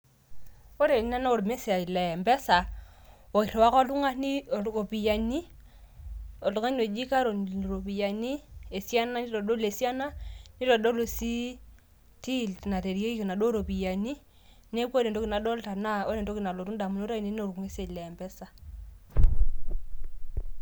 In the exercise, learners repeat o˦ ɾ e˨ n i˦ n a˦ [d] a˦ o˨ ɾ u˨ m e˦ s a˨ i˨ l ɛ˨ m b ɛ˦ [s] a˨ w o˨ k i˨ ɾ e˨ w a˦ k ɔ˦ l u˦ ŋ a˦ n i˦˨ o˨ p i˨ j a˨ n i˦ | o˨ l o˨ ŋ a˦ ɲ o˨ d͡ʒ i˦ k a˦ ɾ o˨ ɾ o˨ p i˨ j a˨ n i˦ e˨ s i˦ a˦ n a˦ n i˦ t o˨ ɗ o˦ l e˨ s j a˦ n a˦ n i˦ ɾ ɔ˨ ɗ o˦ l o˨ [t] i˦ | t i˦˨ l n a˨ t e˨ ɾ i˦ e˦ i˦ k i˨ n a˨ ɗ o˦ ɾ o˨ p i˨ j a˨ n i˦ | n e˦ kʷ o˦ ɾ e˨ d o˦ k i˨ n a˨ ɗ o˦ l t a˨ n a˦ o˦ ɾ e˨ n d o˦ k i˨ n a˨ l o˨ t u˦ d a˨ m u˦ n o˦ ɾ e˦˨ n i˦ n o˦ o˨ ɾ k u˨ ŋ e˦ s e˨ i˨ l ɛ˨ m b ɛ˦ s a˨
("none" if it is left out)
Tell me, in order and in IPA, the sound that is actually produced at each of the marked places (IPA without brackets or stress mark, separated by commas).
n, s, s